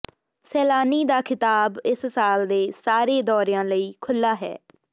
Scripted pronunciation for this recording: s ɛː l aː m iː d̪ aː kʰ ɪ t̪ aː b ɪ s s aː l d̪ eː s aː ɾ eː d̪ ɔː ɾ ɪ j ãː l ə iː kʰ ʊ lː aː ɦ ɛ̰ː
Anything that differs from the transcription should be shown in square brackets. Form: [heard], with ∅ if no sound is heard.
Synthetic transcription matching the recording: s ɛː l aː [n] iː d̪ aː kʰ ɪ t̪ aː b ɪ s s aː l d̪ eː s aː ɾ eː d̪ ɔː ɾ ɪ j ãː l ə iː kʰ ʊ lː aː ɦ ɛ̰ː